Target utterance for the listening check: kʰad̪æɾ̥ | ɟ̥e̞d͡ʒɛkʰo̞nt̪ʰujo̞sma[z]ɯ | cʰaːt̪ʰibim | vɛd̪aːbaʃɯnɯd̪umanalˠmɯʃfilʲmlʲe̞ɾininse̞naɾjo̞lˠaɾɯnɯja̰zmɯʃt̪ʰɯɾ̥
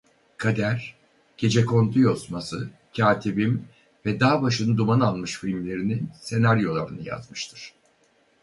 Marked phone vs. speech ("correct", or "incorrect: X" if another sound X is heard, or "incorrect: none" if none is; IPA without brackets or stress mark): incorrect: s